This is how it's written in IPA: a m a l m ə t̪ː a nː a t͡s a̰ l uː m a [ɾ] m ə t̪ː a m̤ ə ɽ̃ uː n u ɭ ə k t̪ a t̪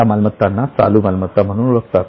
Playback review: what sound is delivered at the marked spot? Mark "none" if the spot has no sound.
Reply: l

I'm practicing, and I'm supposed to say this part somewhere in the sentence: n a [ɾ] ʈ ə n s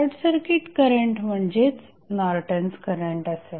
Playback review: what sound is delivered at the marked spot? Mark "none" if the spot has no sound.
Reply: ɾ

